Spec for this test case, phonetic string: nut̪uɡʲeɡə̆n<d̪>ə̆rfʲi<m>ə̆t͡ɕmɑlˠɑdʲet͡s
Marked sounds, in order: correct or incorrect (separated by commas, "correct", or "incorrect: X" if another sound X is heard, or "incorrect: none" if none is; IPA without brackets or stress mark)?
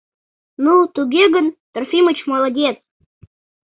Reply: incorrect: t̪, correct